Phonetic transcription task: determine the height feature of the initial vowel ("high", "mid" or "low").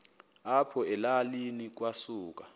low